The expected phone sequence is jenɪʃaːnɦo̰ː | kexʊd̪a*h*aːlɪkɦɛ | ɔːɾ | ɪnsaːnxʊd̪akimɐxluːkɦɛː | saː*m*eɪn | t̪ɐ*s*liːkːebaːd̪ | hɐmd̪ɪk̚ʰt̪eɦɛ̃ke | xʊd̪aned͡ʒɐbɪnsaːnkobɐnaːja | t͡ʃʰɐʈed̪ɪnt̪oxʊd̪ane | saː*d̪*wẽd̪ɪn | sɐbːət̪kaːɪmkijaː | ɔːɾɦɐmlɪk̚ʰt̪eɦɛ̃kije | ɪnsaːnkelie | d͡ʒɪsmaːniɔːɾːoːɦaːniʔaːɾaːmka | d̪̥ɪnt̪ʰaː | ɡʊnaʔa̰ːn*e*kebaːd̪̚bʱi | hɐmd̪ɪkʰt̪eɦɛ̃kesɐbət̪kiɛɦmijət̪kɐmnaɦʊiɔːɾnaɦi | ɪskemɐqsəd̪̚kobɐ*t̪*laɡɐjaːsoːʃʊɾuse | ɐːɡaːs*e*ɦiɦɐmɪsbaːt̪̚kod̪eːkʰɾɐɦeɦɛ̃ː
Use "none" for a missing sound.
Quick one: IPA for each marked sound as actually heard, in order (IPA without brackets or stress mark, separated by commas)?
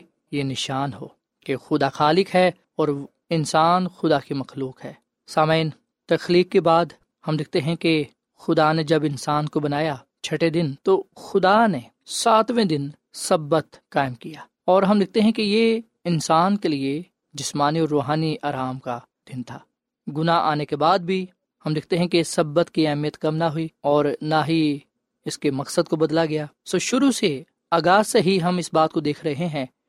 x, m, x, t̪, e, d̪, e